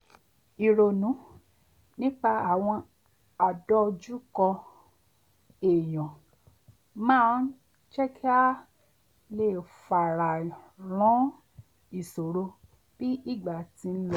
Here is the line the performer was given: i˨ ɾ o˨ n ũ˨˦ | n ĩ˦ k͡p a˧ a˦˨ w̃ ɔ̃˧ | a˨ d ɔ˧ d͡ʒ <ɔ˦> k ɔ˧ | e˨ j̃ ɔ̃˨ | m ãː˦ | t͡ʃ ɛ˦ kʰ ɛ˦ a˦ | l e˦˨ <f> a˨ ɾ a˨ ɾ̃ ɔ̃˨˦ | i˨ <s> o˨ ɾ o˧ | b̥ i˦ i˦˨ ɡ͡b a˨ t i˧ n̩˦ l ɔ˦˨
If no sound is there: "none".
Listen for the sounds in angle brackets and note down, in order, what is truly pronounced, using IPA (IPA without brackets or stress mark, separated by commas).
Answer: u˦, f, s